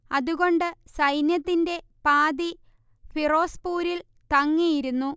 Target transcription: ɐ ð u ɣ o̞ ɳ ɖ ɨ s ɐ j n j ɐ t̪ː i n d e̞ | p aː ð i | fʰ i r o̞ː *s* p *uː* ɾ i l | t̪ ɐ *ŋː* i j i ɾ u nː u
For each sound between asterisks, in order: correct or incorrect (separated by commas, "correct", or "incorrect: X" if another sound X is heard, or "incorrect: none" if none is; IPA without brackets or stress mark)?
correct, correct, correct